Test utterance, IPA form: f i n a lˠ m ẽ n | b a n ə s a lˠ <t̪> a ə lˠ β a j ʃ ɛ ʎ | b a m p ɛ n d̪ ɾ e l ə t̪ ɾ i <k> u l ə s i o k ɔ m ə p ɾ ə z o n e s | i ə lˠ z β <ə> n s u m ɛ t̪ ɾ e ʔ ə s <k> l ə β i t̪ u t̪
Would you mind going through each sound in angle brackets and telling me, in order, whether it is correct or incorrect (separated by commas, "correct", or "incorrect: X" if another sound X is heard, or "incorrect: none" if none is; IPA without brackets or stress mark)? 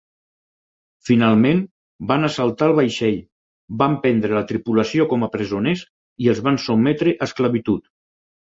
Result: correct, incorrect: p, incorrect: a, correct